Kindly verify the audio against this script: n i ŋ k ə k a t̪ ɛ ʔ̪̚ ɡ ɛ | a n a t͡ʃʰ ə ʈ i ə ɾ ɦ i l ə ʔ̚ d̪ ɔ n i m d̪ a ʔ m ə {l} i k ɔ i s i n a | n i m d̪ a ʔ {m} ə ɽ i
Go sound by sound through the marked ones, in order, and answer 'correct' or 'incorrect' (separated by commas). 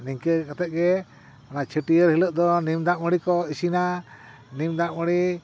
incorrect, correct